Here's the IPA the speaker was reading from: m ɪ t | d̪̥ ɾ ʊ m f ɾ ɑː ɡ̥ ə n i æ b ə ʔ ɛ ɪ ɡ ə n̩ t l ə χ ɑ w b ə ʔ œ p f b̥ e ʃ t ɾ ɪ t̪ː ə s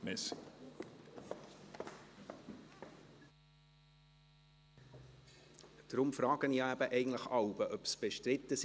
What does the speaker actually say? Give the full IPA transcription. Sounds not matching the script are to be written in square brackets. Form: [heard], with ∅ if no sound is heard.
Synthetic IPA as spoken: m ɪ [s] | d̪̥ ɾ ʊ m f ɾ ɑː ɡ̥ ə n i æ b ə ʔ ɛ ɪ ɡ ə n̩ t l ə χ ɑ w b ə ʔ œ p [s] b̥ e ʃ t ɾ ɪ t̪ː ə s